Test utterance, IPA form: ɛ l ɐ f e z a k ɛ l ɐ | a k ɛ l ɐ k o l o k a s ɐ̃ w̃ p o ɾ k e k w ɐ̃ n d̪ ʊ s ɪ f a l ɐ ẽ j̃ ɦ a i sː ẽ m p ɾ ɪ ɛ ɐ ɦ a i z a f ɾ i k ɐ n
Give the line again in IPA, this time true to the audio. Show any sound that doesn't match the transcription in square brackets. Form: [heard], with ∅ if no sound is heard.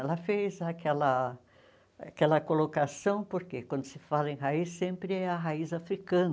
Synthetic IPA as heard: ɛ l ɐ f e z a k ɛ l ɐ | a k ɛ l ɐ k o l o k a s ɐ̃ w̃ p o ɾ k e k w ɐ̃ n d̪ ʊ s ɪ f a l ɐ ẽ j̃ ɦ a i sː ẽ m p ɾ ɪ ɛ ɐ ɦ a i z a f ɾ i k [ɐ̃] n